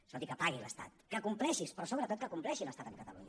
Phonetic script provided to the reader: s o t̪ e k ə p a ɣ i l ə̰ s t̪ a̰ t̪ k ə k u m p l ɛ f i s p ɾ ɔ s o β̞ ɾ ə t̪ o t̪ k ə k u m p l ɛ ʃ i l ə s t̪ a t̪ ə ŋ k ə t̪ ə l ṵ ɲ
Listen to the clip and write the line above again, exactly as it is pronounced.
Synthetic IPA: s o t̪ i k ə p a ɣ i l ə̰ s t̪ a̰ t̪ k ə k u m p l ɛ ʃ i s p ɾ ɔ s o β̞ ɾ ə t̪ o t̪ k ə k u m p l ɛ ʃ i l ə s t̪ a t̪ ə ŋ k ə t̪ ə l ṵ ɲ